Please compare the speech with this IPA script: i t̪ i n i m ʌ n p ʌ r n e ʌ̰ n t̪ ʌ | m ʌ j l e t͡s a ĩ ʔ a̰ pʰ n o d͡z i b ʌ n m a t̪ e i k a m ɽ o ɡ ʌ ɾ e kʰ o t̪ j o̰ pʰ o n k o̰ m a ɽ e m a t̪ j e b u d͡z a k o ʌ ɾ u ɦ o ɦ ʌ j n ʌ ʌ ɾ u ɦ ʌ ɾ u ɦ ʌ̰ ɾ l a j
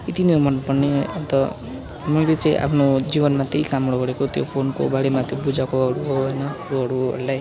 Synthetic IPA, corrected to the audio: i t̪ i n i m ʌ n p ʌ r n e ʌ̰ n t̪ ʌ | m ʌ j l e t͡s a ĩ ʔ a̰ pʰ n o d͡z i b ʌ n m a t̪ e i k a m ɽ o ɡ ʌ ɾ e k o t̪ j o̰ pʰ o n k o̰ b a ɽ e m a t̪ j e b u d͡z a k o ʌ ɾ u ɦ o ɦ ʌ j n ʌ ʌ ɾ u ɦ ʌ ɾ u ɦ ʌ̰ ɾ l a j